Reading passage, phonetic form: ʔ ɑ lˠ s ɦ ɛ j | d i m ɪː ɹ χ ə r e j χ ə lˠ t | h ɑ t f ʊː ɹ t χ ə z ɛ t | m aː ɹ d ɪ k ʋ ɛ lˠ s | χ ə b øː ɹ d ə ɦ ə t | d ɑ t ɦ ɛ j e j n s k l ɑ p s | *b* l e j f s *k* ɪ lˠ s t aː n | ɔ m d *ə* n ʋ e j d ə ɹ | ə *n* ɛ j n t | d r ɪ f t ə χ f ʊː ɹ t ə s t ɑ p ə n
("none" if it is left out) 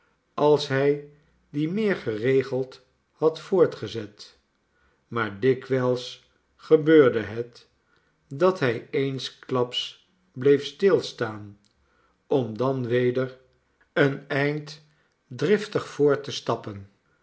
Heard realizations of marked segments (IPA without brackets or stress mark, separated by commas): b, t, ɑ, n